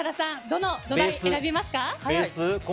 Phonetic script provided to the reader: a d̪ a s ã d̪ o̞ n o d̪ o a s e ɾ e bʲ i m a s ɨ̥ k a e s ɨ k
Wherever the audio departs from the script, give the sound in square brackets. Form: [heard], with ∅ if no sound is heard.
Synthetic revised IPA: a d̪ a s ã d̪ o̞ n o d̪ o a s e ɾ [a] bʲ i m a s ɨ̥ k a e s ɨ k